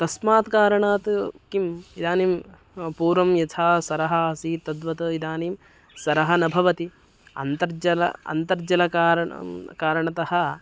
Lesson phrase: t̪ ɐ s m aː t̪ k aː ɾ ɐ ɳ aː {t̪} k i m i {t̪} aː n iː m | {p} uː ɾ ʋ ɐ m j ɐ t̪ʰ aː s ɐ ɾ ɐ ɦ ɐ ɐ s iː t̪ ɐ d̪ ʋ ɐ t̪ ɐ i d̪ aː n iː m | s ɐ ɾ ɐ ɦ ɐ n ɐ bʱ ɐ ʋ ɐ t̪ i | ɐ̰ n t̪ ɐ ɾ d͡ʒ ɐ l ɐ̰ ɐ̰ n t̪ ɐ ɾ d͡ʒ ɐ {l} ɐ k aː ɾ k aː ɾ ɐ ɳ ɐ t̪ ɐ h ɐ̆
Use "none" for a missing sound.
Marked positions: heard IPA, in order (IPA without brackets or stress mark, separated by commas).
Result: t̪, d̪, p, l